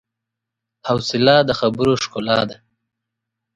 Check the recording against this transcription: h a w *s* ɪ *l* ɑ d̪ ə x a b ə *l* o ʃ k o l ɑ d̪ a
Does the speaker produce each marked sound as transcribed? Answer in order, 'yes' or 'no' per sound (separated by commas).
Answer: yes, yes, no